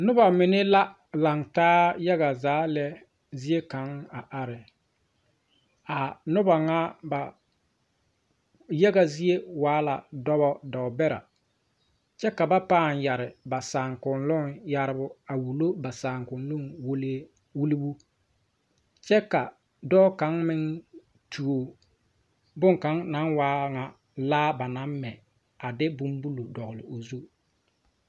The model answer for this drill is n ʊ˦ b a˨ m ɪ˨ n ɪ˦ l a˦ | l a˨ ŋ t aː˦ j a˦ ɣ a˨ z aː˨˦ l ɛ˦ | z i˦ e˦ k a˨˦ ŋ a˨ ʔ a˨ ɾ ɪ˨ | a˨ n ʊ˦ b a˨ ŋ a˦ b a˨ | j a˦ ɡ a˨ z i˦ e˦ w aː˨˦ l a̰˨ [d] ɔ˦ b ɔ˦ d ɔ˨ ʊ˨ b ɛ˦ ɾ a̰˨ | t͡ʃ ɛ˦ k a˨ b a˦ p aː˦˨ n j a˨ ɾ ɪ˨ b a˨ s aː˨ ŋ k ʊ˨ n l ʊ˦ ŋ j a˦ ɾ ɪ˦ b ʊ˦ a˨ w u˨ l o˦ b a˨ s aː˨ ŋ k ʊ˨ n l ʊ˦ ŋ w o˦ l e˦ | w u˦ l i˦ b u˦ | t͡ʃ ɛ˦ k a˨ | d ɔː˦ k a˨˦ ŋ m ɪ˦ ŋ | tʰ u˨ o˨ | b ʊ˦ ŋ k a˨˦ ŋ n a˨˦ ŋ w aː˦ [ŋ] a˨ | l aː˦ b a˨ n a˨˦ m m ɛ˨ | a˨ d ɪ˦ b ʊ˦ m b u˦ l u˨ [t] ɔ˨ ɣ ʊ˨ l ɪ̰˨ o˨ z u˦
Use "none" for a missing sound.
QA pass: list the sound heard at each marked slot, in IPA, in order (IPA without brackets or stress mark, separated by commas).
d, ŋ, d